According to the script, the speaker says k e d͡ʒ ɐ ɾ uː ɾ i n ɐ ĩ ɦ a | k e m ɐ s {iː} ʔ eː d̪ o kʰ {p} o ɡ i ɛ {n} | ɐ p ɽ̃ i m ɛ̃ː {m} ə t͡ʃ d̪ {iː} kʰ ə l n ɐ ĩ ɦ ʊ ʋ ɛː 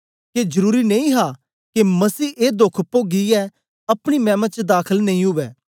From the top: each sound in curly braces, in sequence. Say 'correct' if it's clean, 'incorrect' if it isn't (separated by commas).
correct, correct, incorrect, correct, incorrect